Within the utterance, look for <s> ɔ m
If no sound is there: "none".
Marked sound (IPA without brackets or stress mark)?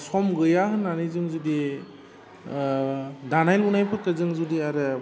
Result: s